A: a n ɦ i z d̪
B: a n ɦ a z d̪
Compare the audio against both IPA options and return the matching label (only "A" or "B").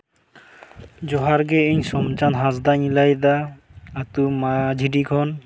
B